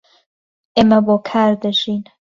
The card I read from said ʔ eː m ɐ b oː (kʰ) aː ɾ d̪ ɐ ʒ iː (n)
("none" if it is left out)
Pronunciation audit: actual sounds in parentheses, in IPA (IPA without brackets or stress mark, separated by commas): kʰ, n